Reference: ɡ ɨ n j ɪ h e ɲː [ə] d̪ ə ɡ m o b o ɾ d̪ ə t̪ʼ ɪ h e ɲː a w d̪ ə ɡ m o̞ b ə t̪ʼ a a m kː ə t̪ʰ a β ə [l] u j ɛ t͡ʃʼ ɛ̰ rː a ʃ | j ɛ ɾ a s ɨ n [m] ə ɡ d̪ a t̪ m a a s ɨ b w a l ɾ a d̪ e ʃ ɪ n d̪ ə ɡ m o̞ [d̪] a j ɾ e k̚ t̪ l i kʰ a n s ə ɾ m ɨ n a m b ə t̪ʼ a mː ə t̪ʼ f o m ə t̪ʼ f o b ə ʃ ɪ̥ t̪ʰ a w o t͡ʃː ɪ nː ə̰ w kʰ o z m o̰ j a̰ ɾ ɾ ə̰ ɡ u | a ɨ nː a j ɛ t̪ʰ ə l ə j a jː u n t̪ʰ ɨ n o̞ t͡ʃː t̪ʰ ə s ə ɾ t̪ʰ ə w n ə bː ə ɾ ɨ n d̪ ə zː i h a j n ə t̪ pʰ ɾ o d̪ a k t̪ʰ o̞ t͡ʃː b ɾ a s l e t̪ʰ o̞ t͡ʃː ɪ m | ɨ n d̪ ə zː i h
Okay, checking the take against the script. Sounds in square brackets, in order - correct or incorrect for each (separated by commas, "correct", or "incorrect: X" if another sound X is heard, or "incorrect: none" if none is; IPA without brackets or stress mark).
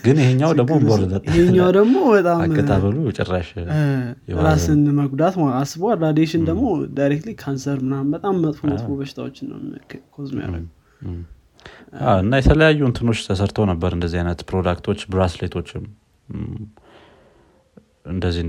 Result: incorrect: a, correct, correct, correct